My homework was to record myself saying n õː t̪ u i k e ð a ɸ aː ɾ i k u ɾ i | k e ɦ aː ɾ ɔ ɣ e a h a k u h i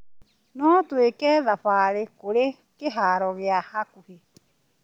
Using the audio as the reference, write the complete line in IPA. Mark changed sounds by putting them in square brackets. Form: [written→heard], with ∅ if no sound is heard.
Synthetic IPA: n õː t̪ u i k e ð a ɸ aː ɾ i k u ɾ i | k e ɦ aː ɾ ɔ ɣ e a h a k u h i